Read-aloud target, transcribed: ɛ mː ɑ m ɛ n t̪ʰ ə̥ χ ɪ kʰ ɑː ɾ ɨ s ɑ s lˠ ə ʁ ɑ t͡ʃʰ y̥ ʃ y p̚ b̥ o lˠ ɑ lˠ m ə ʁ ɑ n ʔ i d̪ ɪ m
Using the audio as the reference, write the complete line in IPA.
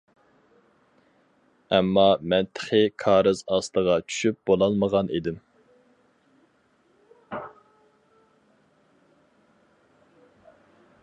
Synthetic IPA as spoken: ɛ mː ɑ m ɛ n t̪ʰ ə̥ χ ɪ kʰ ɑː ɾ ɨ z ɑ s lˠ ə ʁ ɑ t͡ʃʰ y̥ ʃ y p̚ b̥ o lˠ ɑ lˠ m ə ʁ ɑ n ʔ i d̪ ɪ m